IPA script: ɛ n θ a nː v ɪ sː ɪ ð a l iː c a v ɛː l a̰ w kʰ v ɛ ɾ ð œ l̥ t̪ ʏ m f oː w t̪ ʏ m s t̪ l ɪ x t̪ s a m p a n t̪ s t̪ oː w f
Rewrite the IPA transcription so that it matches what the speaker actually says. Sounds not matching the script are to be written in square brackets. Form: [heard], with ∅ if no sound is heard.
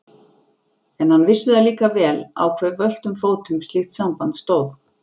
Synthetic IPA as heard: ɛ n [h] a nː v ɪ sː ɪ ð a l iː [k] a v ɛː l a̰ w kʰ v ɛ ɾ [v] œ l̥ t̪ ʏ m f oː w t̪ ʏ m s t̪ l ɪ x t̪ s a m p a n t̪ s t̪ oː w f